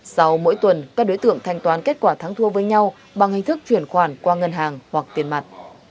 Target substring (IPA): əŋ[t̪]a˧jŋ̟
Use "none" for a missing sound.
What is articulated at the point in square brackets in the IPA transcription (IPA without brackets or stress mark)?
t̪ʰ